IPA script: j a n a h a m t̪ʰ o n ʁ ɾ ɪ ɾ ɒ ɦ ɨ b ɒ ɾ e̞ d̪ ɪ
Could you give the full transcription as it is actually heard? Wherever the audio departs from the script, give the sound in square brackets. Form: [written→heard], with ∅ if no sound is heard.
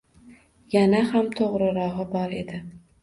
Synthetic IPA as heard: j a n a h a m t̪ʰ o [n→∅] ʁ ɾ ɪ ɾ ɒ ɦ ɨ b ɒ ɾ e̞ d̪ ɪ